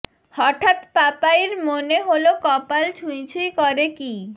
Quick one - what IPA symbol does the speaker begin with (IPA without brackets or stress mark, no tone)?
h